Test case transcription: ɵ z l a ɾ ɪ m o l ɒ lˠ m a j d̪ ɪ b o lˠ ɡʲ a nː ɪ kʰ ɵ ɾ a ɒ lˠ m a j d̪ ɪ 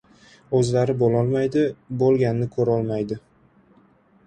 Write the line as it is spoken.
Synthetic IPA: ɵ z l a ɾ ɪ b o l ɒ lˠ m a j d̪ ɪ b o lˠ ɡʲ a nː ɪ kʰ ɵ ɾ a ɒ lˠ m a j d̪ ɪ

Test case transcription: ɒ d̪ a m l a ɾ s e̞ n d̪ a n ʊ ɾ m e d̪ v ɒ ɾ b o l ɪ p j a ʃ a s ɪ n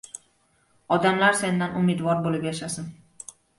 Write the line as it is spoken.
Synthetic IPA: ɒ d̪ a m l a ɾ s e̞ n d̪ a n ʊ m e d̪ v ɒ ɾ b o l ɪ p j a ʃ a s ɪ n

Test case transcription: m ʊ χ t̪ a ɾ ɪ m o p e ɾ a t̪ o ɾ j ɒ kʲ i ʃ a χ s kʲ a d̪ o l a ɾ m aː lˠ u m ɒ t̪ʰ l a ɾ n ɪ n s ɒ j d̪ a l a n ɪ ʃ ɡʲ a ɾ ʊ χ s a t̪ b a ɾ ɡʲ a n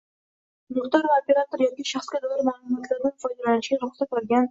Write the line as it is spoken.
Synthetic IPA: m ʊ χ t̪ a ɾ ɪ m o p e ɾ a t̪ o ɾ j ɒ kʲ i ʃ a χ s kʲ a d̪ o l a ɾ m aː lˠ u m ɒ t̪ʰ l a ɾ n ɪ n f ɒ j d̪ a l a n ɪ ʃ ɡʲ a ɾ ʊ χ s a t̪ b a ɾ ɡʲ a n

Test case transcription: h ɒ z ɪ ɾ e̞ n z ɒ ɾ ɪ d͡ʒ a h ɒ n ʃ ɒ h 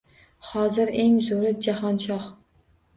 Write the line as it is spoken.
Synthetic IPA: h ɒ z ɪ ɾ e̞ ŋ z o ɾ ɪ d͡ʒ a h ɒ n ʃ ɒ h

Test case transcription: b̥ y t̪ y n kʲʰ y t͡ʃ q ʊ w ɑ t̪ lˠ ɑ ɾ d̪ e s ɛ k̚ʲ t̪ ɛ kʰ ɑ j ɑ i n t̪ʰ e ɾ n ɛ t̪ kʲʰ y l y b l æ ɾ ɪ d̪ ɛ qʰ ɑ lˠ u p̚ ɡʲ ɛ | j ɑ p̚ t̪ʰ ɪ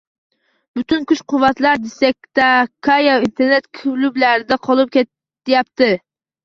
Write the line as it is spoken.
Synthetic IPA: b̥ y t̪ y n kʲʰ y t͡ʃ q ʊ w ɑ t̪ lˠ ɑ ɾ d̪ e s ɛ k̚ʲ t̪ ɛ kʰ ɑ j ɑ i n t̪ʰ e ɾ n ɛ t̪ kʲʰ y l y b l æ ɾ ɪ d̪ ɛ qʰ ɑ lˠ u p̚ kʲ ɛ | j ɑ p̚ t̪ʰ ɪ

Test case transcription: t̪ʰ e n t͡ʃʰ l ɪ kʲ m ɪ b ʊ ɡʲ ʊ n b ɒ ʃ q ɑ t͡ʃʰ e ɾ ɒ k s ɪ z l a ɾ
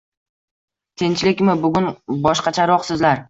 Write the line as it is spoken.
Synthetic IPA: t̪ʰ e n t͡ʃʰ l ɪ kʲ m ɪ b ʊ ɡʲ ʊ n b ɒ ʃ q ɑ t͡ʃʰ a ɾ ɒ q s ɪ z l a ɾ

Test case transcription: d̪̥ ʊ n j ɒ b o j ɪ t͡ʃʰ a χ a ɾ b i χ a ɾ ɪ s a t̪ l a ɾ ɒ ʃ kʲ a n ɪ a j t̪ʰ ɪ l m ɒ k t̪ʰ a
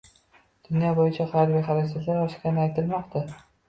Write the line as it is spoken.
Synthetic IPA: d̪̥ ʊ n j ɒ b o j ɪ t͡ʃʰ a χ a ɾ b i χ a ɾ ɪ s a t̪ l a ɾ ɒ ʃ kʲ a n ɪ a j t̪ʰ ɪ l m ɒ q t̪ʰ a

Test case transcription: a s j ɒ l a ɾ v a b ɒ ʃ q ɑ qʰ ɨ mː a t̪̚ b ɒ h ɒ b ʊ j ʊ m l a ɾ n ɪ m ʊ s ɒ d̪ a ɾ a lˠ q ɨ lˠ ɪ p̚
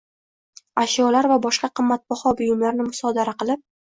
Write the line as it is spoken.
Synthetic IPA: a ʃ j ɒ l a ɾ v a b ɒ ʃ q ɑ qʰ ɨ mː a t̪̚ b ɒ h ɒ b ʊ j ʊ m l a ɾ n ɪ m ʊ s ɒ d̪ a ɾ a q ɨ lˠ ɪ p̚

